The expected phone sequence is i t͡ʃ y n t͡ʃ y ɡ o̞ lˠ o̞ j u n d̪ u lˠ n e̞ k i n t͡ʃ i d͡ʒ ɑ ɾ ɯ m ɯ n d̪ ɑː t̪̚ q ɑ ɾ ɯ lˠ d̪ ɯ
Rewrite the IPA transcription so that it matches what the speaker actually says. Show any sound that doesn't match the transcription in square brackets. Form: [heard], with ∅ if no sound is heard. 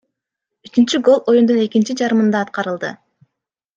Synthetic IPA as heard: [y] t͡ʃ y n t͡ʃ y ɡ o̞ lˠ o̞ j u n d̪ u [∅] n e̞ k i n t͡ʃ i d͡ʒ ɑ ɾ ɯ m ɯ n d̪ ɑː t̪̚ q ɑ ɾ ɯ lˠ d̪ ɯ